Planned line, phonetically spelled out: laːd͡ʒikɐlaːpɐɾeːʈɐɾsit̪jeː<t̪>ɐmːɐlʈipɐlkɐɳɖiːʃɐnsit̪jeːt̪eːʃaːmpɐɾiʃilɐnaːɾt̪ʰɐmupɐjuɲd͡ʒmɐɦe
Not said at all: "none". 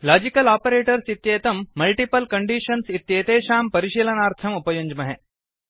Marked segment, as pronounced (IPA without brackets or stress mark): t̪